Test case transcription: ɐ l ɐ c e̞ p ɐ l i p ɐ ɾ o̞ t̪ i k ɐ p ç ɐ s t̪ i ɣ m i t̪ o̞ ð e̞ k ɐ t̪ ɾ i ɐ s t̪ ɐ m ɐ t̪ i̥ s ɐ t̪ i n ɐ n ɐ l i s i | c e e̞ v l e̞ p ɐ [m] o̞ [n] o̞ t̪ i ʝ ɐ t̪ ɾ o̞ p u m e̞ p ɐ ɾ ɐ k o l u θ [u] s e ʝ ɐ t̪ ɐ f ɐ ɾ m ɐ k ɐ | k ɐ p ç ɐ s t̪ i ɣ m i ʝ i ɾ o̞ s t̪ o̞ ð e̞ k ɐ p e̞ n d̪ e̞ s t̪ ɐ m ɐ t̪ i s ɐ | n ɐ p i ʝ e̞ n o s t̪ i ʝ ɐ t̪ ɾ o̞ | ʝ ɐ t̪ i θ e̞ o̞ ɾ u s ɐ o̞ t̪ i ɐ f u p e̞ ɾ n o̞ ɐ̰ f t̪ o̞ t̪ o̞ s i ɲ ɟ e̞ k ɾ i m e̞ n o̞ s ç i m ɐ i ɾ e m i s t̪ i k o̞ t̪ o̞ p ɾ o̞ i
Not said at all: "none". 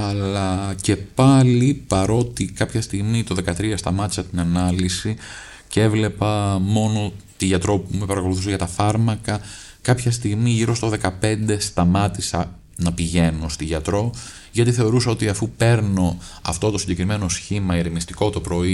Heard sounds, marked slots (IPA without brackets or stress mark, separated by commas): m, n, u